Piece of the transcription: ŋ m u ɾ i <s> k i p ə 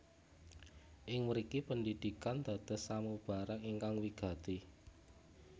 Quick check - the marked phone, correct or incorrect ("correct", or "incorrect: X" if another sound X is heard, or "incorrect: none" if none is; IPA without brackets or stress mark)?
incorrect: none